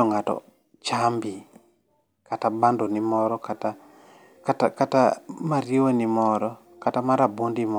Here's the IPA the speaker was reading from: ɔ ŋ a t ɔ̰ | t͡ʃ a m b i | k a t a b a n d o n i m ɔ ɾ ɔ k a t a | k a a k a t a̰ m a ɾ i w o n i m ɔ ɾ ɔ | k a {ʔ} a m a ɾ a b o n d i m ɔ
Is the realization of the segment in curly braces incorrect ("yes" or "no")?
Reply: yes